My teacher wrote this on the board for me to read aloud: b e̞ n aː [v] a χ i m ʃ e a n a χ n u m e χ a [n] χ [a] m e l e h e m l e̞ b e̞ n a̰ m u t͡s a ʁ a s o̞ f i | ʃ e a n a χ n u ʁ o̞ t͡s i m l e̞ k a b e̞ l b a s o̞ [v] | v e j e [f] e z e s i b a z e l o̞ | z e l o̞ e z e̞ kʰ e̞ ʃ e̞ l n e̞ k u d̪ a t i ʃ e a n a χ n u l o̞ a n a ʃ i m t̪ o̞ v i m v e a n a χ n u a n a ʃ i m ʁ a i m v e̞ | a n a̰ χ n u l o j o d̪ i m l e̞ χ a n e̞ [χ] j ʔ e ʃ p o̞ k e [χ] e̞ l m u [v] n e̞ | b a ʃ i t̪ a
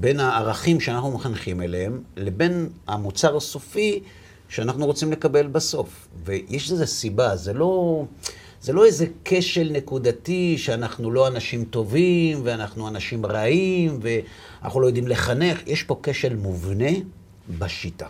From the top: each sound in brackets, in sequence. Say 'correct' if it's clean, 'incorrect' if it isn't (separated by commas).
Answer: incorrect, correct, incorrect, incorrect, incorrect, correct, incorrect, correct